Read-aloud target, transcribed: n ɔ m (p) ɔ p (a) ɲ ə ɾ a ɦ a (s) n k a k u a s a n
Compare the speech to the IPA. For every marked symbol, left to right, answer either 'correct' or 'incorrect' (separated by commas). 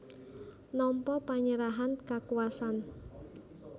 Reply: correct, correct, incorrect